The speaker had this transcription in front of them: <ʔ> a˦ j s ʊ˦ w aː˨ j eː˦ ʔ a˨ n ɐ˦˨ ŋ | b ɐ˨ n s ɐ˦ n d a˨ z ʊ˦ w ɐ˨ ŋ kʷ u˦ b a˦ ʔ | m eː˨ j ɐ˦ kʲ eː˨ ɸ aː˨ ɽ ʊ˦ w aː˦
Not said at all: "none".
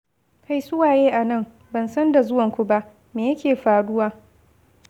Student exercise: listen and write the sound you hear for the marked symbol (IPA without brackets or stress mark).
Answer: k